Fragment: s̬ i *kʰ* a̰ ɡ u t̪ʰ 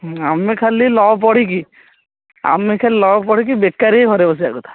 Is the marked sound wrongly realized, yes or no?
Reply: yes